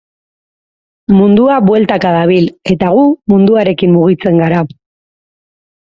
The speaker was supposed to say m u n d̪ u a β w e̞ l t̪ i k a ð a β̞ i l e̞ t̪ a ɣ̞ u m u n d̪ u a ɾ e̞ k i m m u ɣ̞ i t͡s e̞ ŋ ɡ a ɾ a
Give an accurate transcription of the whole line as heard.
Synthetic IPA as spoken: m u n d̪ u a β w e̞ l t̪ a k a ð a β̞ i l e̞ t̪ a ɣ̞ u m u n d̪ u a ɾ e̞ k i m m u ɣ̞ i t͡s e̞ ŋ ɡ a ɾ a